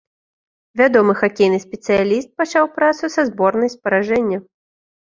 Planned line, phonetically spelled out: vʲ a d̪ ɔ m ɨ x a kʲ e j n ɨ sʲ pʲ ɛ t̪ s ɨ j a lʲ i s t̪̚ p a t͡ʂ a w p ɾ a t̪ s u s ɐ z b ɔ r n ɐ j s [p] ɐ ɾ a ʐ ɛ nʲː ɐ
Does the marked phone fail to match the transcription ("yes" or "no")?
no